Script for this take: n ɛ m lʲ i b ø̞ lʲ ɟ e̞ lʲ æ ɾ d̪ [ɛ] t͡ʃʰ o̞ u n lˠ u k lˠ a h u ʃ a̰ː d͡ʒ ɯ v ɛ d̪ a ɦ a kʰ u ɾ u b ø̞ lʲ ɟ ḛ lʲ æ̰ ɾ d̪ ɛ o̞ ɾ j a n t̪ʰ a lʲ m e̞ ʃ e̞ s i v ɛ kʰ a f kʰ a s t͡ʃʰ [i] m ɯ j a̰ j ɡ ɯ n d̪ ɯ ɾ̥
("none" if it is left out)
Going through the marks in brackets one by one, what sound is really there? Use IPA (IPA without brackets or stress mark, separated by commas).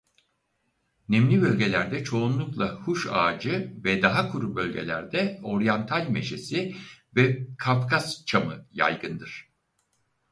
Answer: ɛ, a